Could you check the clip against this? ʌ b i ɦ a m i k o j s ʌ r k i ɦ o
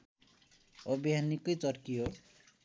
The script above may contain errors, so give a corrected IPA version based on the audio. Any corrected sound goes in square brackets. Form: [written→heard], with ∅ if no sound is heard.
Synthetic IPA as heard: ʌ b i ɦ a [m→n] i k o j [s→t͡s] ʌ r k i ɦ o